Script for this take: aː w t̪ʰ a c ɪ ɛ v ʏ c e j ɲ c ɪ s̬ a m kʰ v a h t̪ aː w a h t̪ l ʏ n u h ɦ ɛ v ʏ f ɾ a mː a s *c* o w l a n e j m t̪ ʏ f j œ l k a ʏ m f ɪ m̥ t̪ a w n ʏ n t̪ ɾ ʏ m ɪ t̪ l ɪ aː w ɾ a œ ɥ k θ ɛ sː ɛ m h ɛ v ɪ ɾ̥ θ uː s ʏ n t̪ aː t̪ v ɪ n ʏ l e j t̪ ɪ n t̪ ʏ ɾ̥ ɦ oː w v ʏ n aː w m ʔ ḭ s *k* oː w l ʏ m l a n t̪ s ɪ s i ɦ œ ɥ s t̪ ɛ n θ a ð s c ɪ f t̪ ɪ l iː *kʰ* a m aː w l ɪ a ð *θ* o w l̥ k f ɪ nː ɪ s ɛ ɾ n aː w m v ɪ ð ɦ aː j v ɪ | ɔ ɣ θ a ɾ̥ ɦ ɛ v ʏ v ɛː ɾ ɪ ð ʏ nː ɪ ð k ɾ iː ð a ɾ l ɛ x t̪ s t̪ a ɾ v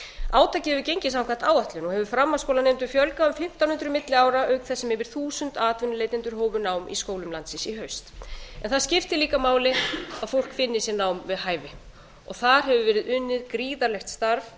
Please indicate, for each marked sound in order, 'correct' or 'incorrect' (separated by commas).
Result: incorrect, correct, incorrect, incorrect